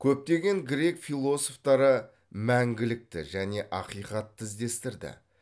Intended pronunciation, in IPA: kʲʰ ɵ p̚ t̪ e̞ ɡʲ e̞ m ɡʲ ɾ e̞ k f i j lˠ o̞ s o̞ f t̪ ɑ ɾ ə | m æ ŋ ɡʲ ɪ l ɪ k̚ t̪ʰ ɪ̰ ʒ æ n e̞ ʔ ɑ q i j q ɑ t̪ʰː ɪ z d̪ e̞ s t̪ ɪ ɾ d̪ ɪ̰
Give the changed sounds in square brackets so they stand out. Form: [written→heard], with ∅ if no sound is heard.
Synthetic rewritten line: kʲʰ ɵ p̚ t̪ e̞ ɡʲ e̞ [m→ŋ] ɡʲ ɾ e̞ k f i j lˠ o̞ s o̞ f t̪ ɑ ɾ ə | m æ ŋ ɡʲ ɪ l ɪ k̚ [t̪ʰ→t̪] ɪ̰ ʒ æ n e̞ ʔ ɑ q i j q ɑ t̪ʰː ɪ z d̪ e̞ s t̪ ɪ ɾ d̪ ɪ̰